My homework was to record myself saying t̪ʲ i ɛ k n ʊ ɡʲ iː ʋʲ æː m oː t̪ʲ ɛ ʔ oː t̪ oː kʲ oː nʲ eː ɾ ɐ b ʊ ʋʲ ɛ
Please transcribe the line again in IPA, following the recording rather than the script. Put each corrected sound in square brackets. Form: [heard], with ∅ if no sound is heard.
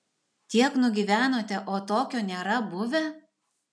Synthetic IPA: t̪ʲ i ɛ k n ʊ ɡʲ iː ʋʲ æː [n] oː t̪ʲ ɛ ʔ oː t̪ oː kʲ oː nʲ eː ɾ ɐ b ʊ ʋʲ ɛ

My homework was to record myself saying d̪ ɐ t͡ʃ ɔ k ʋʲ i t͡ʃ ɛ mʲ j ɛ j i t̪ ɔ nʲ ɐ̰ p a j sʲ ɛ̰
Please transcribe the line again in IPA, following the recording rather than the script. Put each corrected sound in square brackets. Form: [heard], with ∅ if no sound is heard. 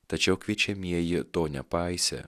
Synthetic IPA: [t̪] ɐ t͡ʃ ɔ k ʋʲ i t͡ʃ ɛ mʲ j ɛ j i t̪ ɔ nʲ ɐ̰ p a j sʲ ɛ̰

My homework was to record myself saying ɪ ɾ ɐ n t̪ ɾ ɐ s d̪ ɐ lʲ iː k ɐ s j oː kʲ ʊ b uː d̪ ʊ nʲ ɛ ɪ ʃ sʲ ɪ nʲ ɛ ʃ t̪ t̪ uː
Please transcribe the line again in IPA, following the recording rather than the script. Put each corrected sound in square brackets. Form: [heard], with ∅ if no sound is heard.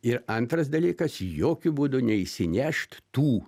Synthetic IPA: ɪ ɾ ɐ n t̪ ɾ ɐ s d̪ ɐ lʲ iː k ɐ s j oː kʲ ʊ b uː d̪ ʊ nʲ ɛ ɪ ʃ sʲ ɪ nʲ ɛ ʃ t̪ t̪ uː

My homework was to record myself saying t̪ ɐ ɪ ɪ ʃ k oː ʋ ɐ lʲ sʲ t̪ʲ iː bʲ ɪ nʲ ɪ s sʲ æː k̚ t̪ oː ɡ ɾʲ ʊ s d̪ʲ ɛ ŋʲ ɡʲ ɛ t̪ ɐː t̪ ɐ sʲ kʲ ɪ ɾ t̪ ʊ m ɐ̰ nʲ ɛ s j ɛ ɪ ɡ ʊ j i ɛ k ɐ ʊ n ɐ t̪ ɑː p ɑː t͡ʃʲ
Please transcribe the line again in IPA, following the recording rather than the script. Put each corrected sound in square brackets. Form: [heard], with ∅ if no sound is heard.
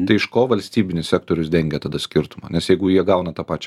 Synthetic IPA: t̪ ɐ ɪ ɪ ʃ k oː ʋ ɐ lʲ sʲ t̪ʲ iː bʲ ɪ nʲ ɪ s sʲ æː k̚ t̪ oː [∅] ɾʲ ʊ s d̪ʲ ɛ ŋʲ ɡʲ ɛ t̪ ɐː [d̪] ɐ sʲ kʲ ɪ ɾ t̪ ʊ m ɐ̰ nʲ ɛ s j ɛ ɪ ɡ ʊ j i ɛ [ɡ] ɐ ʊ n ɐ t̪ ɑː p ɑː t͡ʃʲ

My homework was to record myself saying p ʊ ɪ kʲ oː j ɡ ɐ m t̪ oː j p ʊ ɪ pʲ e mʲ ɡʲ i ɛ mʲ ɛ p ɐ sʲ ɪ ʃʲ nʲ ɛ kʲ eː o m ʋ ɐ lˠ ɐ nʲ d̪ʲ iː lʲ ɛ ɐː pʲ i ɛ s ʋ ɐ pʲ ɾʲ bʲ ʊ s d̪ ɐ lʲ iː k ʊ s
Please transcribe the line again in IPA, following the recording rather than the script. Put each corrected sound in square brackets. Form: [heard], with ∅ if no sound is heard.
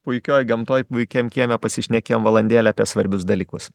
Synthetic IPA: p ʊ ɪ kʲ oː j ɡ ɐ m t̪ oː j p ʊ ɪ [kʲ] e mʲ [kʲ] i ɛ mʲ ɛ p ɐ sʲ ɪ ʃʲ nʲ ɛ kʲ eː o m ʋ ɐ lˠ ɐ nʲ d̪ʲ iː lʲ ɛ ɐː pʲ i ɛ s ʋ ɐ [∅] ɾʲ bʲ ʊ s d̪ ɐ lʲ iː k ʊ s

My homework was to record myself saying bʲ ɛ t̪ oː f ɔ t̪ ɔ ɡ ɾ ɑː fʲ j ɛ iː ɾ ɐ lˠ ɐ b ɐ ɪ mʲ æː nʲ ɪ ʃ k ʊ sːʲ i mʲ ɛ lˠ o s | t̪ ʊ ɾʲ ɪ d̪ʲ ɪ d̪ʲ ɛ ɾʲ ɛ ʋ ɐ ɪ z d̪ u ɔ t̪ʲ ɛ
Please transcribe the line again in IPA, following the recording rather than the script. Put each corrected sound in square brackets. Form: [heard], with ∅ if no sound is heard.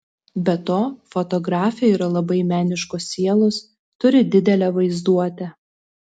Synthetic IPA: bʲ ɛ t̪ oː f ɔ t̪ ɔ ɡ ɾ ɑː fʲ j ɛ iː ɾ ɐ lˠ ɐ b ɐ ɪ mʲ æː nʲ ɪ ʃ k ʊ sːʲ i [∅] ɛ lˠ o s | t̪ ʊ ɾʲ ɪ d̪ʲ ɪ d̪ʲ ɛ [lʲ] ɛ ʋ ɐ ɪ z d̪ u ɔ t̪ʲ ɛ

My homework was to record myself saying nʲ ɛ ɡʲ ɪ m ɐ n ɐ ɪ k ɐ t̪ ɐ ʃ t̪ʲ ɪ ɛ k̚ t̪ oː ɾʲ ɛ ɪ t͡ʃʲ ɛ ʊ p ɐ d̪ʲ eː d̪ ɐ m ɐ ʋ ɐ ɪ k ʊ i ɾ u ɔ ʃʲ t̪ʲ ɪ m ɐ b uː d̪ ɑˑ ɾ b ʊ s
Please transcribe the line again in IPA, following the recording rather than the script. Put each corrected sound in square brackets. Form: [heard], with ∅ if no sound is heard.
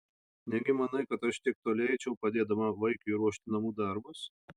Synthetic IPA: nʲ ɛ ɡʲ ɪ m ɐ n ɐ ɪ k ɐ t̪ ɐ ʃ t̪ʲ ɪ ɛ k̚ t̪ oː [lʲ] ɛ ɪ t͡ʃʲ ɛ ʊ p ɐ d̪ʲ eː d̪ ɐ m ɐ ʋ ɐ ɪ k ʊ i ɾ u ɔ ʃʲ t̪ʲ ɪ [n] ɐ [m] uː d̪ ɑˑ ɾ b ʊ s

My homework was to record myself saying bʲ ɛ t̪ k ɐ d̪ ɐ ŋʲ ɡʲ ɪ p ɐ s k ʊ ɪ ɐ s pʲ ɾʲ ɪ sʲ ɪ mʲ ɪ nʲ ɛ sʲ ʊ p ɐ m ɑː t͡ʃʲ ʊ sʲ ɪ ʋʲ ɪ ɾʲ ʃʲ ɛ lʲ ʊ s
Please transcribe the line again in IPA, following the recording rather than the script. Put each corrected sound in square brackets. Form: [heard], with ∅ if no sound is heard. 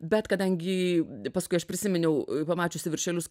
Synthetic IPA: bʲ ɛ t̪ k ɐ d̪ ɐ ŋʲ ɡʲ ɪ p ɐ s k ʊ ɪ ɐ [ʃ] pʲ ɾʲ ɪ sʲ ɪ mʲ ɪ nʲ ɛ [∅] ʊ p ɐ m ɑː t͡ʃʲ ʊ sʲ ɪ ʋʲ ɪ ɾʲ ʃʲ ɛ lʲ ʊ s

